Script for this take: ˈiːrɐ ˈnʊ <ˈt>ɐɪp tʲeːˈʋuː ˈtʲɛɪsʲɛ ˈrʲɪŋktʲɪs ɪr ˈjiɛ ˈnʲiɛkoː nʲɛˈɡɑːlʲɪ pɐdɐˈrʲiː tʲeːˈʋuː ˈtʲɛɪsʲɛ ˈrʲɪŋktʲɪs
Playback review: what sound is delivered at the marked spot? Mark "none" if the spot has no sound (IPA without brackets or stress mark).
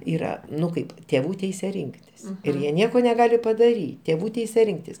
k